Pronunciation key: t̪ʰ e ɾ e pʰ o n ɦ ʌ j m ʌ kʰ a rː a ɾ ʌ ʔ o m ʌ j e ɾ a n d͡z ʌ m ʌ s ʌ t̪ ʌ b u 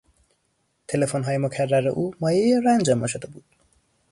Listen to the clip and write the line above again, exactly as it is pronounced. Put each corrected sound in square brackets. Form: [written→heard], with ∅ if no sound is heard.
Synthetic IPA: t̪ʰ e [ɾ→l] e pʰ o n ɦ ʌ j m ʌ kʰ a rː a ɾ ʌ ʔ [o→u] m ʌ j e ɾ a n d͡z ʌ m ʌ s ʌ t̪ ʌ b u